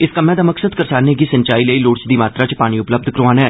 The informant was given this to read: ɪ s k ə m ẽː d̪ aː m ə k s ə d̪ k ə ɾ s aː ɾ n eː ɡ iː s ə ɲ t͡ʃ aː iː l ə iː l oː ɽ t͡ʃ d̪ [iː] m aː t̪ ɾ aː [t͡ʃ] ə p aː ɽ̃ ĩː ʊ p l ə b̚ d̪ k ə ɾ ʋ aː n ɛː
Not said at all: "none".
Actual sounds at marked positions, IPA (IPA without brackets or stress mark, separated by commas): iː, t͡ʃ